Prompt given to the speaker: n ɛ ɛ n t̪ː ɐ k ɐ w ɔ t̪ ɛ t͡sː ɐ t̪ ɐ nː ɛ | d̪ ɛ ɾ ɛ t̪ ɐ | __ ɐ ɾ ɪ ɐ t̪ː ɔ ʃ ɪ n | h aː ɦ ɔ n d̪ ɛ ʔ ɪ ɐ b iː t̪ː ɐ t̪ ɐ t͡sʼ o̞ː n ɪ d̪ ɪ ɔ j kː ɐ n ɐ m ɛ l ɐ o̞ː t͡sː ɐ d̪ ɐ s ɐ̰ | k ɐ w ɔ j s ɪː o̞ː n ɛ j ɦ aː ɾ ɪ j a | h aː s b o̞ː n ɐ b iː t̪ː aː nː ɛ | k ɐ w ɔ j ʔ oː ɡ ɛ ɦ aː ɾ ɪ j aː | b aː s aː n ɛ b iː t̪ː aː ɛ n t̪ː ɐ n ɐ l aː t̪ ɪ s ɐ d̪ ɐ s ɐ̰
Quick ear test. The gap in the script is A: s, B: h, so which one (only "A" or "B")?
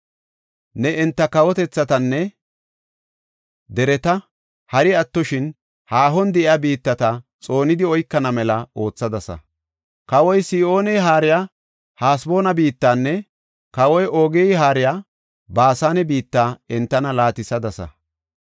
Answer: B